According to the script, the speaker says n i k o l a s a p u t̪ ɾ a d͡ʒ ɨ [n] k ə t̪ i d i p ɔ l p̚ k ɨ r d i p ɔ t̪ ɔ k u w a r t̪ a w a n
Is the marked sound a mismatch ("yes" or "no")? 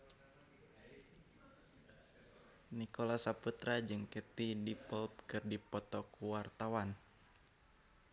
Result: yes